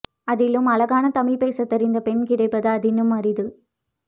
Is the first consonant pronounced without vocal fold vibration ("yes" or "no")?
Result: no